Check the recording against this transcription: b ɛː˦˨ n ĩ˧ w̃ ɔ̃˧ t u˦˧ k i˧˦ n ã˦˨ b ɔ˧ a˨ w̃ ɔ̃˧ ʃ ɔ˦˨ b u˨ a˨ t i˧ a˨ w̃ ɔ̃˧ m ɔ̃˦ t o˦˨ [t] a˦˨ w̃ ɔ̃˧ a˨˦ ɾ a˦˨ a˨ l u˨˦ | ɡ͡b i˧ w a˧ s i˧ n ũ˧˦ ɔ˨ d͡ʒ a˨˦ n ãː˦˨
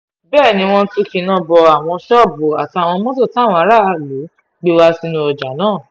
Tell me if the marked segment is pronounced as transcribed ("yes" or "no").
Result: yes